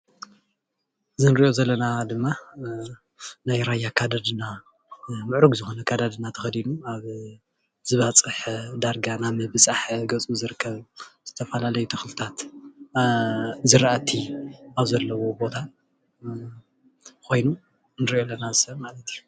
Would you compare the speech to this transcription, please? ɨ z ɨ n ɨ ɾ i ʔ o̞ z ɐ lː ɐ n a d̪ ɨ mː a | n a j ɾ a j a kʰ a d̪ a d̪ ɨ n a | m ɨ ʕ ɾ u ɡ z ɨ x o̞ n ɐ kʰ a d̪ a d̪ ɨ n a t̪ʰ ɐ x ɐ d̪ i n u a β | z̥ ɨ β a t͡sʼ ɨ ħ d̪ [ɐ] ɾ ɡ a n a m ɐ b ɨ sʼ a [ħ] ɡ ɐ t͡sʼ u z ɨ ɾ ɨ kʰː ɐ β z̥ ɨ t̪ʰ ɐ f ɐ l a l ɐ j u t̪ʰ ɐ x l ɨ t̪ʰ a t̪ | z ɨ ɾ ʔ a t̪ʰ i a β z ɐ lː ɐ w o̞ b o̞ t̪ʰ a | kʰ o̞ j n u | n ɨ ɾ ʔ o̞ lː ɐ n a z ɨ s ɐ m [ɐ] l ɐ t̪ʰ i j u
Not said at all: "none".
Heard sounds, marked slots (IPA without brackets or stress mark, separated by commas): a, ħ, a